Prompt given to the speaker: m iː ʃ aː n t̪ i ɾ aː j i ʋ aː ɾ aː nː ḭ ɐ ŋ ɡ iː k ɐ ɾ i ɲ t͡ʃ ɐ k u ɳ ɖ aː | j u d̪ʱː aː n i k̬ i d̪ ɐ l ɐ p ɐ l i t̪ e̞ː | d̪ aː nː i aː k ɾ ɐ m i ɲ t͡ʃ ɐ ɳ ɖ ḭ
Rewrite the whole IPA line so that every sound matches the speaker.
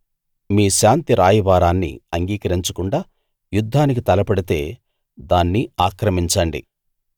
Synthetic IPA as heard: m iː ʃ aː n t̪ i ɾ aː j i ʋ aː ɾ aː nː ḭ ɐ ŋ ɡ iː k ɐ ɾ i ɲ t͡ʃ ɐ k u ɳ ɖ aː | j u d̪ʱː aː n i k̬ i t̪ ɐ l ɐ p ɐ ɽ i t̪ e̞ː | d̪ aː nː i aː k ɾ ɐ m i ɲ t͡ʃ ɐ ɳ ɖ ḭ